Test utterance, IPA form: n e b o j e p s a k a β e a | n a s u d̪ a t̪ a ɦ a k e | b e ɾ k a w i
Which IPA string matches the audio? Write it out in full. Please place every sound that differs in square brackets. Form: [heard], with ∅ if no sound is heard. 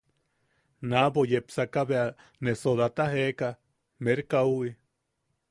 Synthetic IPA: n [a] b o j e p s a k a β e a | n [e] s [o] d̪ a t̪ a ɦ [e] k [a] | [m] e ɾ k a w i